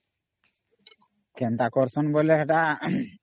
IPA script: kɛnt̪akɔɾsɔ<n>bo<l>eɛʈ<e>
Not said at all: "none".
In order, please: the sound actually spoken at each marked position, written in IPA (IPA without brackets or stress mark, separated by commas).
n, l, a